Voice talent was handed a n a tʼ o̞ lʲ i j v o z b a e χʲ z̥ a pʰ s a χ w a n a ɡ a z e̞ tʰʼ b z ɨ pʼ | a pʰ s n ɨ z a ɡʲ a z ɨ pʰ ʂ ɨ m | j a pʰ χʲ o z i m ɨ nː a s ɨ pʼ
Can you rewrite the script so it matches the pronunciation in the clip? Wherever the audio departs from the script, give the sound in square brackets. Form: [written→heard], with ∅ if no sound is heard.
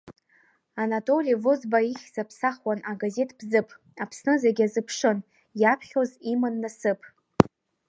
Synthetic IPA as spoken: a n a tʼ o̞ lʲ i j v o z b a [e→i] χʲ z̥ a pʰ s a χ w a n a ɡ a z e̞ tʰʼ b z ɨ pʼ | a pʰ s n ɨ z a ɡʲ a z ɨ pʰ ʂ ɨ [m→n] | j a pʰ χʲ o z i m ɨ nː a s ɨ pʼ

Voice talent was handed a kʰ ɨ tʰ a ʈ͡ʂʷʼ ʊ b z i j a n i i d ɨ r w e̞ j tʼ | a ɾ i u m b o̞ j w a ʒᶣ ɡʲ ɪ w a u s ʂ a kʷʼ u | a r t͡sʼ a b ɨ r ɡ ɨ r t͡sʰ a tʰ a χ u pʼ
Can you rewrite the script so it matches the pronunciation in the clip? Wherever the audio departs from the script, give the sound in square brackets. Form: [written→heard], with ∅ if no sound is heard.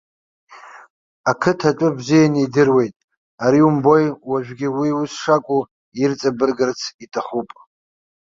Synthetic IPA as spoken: a kʰ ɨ tʰ a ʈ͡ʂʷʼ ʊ b z i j a n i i d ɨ r w e̞ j tʼ | a ɾ i u m b o̞ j w a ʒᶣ ɡʲ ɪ w [a→i] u s ʂ a kʷʼ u | [a→i] r t͡sʼ a b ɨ r ɡ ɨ r t͡sʰ [a→i] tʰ a χ u pʼ

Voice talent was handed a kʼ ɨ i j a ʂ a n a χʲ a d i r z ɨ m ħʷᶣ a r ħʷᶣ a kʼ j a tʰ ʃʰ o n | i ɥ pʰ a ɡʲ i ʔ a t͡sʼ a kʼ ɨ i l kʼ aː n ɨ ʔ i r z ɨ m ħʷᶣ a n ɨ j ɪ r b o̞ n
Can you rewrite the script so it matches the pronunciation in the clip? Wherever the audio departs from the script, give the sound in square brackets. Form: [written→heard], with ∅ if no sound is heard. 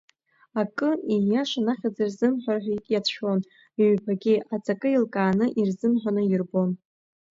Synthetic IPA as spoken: a kʼ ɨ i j a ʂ a n a χʲ a [d→d͡z] i r z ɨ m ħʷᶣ a r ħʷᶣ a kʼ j a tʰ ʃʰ o n | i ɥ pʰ a ɡʲ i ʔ a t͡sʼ a kʼ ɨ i l kʼ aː n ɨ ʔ i r z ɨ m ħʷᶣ a n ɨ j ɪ r b o̞ n

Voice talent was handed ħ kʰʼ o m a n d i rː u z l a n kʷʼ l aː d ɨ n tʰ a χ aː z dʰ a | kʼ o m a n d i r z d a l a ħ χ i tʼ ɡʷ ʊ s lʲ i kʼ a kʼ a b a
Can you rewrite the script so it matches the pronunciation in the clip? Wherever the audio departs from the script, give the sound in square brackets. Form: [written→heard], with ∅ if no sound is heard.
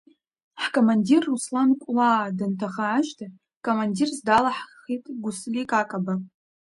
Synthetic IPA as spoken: ħ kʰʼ o m a n d i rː u [z→s] l a n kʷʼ l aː d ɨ n tʰ a χ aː [z→ʒ] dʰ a | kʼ o m a n d i r z d a l a ħ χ i tʼ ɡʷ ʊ s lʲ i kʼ a kʼ a b a

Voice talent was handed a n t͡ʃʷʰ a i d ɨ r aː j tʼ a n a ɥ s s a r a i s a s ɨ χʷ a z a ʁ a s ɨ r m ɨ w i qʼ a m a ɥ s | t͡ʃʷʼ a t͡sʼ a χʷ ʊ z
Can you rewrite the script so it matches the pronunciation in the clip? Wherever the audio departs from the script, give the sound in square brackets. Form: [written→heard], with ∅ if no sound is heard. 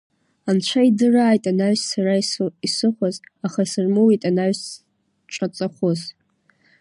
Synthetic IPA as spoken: a n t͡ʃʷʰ a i d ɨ r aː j tʼ a n a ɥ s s a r a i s [a→i] s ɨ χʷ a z a [ʁ→χ] a s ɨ r m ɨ w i [qʼ→tʼ] a [m→n] a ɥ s | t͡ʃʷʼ a t͡sʼ a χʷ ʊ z

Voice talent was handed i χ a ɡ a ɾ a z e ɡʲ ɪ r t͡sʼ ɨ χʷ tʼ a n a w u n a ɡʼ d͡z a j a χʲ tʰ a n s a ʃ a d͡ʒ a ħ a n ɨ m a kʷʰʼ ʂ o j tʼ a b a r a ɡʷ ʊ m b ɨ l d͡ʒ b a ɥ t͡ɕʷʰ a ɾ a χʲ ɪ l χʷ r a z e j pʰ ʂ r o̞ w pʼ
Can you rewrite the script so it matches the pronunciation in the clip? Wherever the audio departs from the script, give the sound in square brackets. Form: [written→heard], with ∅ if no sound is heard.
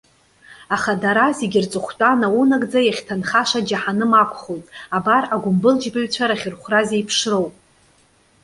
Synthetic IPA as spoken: [i→a] χ a [ɡ→d] a ɾ a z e ɡʲ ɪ r t͡sʼ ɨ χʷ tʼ a n a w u n a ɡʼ d͡z a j a χʲ tʰ a n [s→χ] a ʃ a d͡ʒ a ħ a n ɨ m a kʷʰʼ [ʂ→χ] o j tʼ a b a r a ɡʷ ʊ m b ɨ l d͡ʒ b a ɥ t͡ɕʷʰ a ɾ a χʲ ɪ [l→r] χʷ r a z e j pʰ ʂ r o̞ w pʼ

